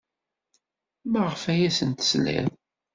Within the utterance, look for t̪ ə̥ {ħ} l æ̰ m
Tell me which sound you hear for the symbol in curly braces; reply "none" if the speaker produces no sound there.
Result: s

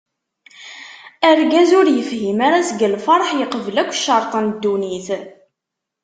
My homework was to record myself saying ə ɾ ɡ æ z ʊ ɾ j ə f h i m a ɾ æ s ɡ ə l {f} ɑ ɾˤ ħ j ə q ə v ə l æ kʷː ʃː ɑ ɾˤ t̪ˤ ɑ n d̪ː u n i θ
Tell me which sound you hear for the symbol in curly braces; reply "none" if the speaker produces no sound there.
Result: f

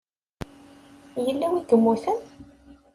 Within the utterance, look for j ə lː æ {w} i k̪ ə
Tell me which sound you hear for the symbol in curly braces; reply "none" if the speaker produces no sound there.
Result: w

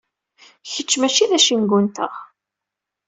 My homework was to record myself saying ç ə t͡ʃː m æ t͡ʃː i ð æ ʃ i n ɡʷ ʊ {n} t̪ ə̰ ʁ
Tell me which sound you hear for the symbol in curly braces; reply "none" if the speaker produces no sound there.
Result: n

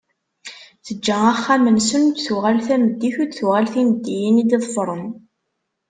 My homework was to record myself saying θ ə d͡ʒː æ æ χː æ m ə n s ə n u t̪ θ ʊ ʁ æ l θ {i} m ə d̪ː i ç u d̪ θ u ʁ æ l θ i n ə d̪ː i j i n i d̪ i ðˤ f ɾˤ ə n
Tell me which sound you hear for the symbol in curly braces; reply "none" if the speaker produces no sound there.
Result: æ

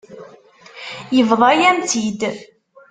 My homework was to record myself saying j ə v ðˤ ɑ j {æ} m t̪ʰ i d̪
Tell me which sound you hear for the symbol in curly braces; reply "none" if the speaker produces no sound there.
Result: æ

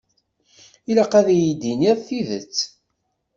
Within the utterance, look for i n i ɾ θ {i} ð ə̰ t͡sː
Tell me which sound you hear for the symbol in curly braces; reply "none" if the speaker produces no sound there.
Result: i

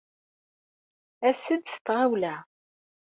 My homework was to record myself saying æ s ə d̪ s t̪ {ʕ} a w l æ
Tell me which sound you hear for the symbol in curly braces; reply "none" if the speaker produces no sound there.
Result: ʁ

